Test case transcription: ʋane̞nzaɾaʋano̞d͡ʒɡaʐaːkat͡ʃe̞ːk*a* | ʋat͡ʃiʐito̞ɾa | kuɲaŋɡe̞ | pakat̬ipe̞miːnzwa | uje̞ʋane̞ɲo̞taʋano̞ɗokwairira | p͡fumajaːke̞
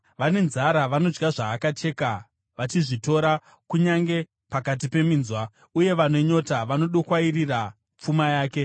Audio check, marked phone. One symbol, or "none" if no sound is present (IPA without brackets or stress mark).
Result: a